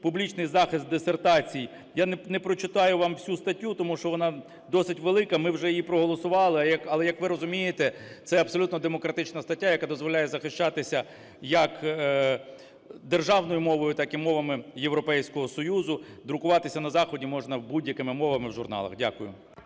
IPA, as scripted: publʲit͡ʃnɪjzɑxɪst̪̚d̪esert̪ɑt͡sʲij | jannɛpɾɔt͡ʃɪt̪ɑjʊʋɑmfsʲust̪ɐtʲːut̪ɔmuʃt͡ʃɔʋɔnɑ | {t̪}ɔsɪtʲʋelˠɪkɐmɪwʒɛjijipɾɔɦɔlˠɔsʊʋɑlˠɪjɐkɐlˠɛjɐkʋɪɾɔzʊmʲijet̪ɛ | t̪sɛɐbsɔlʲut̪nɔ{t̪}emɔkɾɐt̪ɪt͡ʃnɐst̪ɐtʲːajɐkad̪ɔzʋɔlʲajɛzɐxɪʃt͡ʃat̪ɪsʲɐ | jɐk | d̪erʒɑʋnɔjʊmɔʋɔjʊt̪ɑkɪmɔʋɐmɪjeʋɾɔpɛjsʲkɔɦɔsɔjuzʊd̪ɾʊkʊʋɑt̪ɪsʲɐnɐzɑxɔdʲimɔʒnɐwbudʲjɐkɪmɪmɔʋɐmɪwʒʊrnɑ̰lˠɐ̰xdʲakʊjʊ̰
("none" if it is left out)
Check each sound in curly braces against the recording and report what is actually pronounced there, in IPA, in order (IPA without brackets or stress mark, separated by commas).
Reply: d̪, d̪